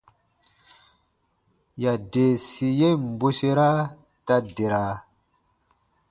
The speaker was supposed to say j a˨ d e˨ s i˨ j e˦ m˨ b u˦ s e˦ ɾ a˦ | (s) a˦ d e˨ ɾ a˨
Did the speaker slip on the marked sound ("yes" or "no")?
yes